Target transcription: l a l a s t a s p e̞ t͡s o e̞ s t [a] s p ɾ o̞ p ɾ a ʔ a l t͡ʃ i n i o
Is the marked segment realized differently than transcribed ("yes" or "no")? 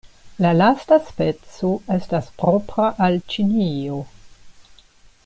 no